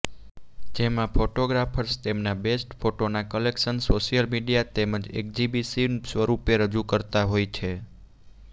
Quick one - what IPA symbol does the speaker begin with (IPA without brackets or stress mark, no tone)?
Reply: d͡ʒ